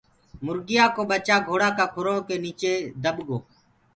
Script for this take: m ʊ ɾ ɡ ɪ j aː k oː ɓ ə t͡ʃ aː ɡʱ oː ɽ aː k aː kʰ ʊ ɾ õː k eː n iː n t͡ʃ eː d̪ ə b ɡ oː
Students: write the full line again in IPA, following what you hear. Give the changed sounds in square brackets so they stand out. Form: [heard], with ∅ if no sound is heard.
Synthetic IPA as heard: m ʊ ɾ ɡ ɪ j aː k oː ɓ ə t͡ʃ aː ɡʱ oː ɽ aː k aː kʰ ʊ ɾ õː k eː n iː [∅] t͡ʃ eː d̪ ə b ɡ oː